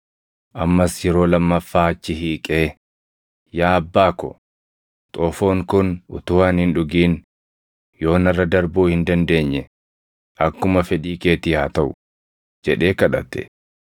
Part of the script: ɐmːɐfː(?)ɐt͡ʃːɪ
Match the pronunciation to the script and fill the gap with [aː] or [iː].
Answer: aː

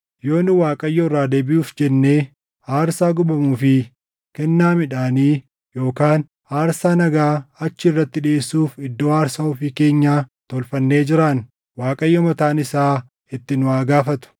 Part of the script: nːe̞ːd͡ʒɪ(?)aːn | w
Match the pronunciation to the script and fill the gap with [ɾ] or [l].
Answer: ɾ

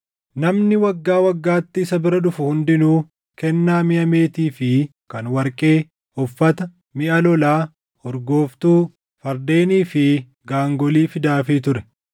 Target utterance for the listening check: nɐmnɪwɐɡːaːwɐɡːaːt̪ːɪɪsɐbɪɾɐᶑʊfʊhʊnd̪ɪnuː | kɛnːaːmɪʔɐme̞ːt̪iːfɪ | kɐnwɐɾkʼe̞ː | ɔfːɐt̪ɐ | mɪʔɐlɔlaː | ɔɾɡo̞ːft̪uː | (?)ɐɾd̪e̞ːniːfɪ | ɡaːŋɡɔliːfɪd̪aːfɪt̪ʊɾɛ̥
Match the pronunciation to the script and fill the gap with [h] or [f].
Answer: f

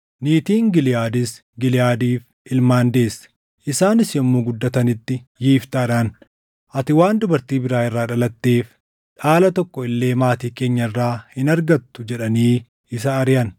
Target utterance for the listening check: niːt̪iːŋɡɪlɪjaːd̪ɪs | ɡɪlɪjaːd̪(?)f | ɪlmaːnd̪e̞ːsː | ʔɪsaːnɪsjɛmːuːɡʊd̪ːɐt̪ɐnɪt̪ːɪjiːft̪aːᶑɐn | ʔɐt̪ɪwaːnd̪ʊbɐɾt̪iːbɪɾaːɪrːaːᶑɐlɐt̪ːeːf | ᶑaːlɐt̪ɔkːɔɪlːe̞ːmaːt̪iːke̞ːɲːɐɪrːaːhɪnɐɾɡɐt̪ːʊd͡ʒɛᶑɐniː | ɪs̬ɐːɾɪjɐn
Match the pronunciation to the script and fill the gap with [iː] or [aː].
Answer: iː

